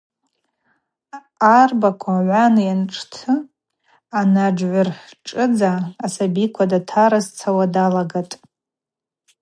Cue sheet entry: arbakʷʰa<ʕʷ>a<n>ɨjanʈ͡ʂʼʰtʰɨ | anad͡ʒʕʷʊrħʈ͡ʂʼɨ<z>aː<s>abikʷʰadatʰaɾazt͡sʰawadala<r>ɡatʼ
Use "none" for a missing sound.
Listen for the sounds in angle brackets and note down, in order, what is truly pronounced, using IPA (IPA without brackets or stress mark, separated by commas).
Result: ʕʷ, n, d͡z, s, none